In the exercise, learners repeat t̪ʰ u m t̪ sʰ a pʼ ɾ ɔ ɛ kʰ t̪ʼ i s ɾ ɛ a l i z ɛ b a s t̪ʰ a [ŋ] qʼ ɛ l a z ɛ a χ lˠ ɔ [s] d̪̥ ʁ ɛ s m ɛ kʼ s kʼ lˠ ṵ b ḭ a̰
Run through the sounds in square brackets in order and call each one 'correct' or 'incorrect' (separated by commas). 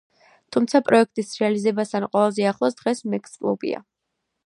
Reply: incorrect, correct